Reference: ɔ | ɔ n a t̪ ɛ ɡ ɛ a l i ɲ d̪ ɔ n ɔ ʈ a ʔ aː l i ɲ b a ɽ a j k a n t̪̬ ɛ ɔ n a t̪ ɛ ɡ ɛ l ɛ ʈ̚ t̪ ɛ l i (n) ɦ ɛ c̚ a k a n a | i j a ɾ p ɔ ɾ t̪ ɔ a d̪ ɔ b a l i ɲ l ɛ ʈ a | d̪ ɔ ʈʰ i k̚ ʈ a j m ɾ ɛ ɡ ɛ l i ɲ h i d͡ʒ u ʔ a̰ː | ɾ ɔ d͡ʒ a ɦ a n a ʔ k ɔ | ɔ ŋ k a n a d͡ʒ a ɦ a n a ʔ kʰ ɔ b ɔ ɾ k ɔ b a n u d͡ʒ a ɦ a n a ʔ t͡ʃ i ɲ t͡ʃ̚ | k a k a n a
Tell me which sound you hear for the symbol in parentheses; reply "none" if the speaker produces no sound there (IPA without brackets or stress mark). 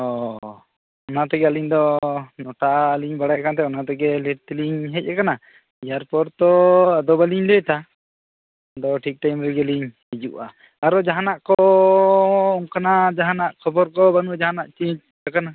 ɲ